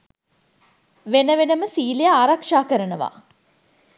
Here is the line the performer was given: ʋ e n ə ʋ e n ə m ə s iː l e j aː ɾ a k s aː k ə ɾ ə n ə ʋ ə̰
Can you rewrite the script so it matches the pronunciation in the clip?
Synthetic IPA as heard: ʋ e n ə ʋ e n ə m ə s iː l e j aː ɾ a k ʂ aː k ə ɾ ə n ə ʋ a̰